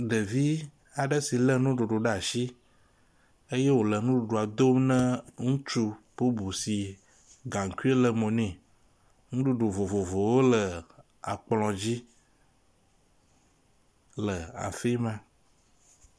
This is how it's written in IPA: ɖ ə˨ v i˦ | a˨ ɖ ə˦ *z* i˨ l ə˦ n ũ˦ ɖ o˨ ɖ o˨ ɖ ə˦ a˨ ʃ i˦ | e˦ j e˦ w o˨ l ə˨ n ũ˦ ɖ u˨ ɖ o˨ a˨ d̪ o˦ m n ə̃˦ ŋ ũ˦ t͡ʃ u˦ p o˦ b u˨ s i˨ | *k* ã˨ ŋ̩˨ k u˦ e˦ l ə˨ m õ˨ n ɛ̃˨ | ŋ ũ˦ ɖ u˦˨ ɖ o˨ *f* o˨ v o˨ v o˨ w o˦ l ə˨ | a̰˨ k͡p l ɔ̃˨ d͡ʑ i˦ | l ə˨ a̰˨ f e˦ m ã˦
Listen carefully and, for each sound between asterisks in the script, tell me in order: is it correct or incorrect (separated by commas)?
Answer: incorrect, incorrect, incorrect